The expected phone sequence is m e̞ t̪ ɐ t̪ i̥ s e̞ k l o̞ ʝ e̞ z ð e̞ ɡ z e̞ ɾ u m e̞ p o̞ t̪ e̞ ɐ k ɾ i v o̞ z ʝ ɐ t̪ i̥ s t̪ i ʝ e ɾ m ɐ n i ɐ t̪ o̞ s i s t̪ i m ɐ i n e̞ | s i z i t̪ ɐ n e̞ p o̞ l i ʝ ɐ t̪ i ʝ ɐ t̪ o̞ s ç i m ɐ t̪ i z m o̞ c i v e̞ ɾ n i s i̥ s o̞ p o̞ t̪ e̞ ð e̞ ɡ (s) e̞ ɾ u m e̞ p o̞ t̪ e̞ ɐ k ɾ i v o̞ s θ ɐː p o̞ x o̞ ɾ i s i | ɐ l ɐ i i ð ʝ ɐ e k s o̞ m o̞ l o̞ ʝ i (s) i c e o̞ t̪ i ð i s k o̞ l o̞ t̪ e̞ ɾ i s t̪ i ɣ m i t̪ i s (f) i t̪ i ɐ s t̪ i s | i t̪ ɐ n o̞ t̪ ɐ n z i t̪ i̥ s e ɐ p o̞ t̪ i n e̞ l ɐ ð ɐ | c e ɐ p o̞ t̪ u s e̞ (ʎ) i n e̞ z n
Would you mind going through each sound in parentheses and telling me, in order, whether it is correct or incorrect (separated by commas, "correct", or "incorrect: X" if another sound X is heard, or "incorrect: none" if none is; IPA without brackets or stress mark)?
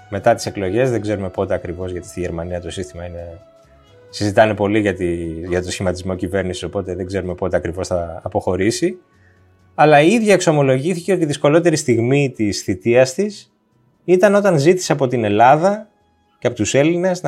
incorrect: z, incorrect: θ, incorrect: θ, incorrect: l